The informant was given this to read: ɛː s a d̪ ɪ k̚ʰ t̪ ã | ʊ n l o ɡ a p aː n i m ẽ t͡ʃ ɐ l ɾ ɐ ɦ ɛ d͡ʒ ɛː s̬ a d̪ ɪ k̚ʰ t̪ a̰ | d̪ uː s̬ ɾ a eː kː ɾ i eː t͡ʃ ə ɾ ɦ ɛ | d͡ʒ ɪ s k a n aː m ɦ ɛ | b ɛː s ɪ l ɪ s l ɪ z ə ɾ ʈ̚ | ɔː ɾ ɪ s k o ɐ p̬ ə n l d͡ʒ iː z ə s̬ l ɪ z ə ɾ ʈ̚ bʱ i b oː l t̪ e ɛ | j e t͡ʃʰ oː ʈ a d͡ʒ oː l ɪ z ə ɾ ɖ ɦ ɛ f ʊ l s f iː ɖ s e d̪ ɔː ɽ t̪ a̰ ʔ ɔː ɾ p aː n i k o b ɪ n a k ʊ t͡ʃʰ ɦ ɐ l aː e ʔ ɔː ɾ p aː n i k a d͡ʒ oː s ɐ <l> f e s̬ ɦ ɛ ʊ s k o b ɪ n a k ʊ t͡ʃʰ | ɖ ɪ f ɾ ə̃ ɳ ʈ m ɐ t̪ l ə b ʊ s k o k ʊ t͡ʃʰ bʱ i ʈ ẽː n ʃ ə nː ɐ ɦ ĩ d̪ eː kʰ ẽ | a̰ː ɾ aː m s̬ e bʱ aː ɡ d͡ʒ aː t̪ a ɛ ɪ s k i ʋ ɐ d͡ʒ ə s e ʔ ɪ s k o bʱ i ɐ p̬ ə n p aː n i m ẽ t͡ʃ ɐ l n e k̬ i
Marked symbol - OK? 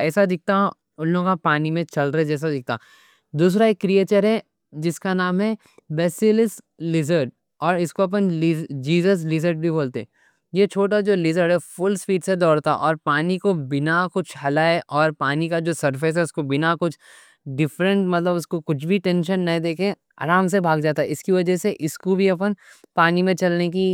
no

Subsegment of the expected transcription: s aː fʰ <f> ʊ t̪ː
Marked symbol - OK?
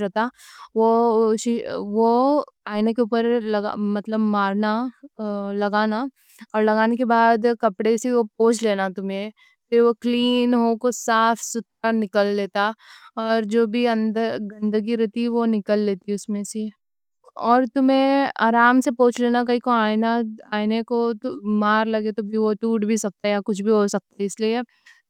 no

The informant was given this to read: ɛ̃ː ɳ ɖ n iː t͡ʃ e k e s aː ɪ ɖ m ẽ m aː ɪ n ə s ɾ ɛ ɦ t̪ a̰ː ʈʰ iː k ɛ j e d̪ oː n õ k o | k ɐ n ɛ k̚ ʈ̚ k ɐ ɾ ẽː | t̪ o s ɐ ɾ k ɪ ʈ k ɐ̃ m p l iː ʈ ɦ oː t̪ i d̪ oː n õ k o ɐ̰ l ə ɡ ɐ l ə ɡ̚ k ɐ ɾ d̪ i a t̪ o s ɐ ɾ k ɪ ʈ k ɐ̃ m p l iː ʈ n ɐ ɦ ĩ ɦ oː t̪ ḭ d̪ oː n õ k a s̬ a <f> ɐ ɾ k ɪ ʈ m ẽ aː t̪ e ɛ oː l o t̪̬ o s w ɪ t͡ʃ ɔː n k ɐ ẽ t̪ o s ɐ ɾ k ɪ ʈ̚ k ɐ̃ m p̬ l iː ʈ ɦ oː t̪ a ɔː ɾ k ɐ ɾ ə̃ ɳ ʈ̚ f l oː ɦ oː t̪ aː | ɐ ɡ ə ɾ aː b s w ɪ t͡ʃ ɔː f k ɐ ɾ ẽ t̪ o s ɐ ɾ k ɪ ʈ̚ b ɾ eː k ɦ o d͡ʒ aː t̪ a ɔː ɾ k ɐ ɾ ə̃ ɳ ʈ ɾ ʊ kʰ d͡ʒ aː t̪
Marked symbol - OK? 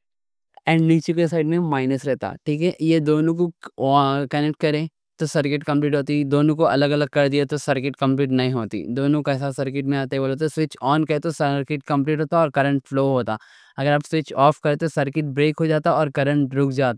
no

